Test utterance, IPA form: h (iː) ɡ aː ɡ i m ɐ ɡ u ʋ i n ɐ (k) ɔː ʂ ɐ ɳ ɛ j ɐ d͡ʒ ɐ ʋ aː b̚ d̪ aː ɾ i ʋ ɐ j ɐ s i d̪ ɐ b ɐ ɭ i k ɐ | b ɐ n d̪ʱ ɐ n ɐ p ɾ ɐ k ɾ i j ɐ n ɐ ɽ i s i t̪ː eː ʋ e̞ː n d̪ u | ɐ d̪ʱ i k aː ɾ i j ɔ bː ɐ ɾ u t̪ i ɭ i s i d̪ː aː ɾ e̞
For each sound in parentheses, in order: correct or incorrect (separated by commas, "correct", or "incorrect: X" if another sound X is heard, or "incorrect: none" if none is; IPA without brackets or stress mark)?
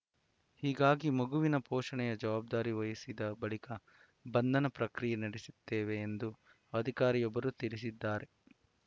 correct, incorrect: p